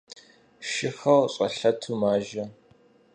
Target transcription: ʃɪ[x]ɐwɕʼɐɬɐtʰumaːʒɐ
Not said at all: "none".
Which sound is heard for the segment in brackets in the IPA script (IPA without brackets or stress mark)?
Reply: x